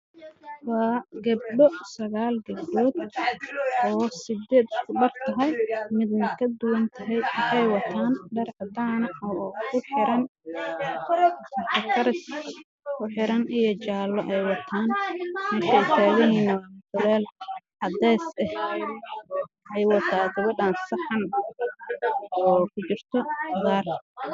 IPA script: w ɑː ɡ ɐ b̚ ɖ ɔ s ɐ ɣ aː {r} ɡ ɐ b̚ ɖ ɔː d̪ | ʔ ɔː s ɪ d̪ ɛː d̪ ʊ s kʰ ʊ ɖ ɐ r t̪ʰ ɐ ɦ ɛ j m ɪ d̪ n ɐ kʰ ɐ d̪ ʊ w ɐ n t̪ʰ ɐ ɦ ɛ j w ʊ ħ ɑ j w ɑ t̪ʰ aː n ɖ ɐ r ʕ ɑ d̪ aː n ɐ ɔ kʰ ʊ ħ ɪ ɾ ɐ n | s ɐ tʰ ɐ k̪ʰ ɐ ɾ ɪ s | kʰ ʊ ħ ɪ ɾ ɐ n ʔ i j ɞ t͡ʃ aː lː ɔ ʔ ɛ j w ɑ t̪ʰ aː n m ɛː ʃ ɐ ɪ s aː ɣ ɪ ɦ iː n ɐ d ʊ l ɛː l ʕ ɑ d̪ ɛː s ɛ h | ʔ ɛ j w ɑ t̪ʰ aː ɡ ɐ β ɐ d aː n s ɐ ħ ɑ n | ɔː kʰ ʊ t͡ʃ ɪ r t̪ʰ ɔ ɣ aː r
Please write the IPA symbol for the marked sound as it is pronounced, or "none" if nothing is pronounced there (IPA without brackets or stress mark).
l